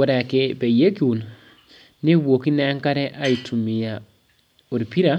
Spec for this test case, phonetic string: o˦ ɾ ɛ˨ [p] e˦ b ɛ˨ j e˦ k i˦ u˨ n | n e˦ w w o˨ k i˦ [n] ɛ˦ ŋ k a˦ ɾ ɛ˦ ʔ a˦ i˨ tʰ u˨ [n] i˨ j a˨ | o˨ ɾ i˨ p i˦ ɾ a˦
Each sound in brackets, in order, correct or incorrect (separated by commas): incorrect, correct, incorrect